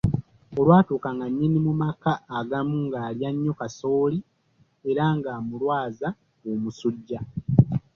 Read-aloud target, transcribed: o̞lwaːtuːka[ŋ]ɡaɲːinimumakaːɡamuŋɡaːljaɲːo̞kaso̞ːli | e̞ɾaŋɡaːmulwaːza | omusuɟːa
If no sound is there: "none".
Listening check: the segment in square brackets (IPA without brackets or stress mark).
ŋ